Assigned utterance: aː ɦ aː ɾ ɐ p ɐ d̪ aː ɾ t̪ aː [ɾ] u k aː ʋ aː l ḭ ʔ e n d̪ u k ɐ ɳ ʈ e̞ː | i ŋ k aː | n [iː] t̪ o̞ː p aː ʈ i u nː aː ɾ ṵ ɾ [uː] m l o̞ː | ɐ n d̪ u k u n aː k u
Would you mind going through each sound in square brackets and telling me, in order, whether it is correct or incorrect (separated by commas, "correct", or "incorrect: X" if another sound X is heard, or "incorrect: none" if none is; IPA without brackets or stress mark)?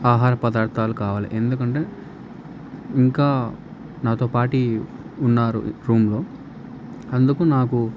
incorrect: l, incorrect: aː, correct